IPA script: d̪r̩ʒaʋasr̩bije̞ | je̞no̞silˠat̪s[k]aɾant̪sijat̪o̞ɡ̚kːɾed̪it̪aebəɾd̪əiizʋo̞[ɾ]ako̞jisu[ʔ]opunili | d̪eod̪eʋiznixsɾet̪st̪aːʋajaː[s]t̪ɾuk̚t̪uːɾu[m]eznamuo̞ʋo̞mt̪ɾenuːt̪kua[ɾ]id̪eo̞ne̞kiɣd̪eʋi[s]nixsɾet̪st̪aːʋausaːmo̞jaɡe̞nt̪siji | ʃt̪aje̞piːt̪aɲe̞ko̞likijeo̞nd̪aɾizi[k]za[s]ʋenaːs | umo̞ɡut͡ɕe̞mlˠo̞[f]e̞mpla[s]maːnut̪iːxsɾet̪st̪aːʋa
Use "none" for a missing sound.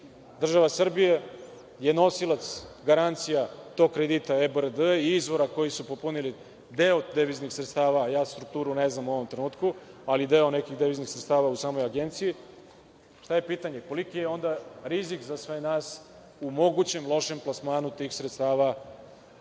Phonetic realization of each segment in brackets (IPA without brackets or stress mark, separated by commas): ɡ, ɾ, p, s, n, l, z, k, s, ʃ, s